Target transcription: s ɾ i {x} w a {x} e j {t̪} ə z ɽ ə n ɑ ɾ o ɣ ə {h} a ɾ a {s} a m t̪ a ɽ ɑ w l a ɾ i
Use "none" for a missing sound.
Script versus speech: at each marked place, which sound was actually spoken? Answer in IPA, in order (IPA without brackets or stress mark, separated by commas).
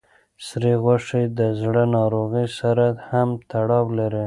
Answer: ɣ, ʂ, d̪, s, h